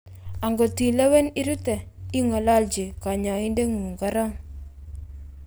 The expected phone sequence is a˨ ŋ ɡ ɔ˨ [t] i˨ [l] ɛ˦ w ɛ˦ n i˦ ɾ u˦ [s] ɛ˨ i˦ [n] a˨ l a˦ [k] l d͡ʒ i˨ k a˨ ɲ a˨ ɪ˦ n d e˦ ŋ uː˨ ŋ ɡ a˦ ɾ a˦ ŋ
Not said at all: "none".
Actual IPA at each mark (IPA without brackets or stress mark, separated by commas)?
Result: t, l, t, ŋ, none